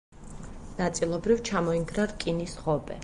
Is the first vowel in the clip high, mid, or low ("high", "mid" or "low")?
low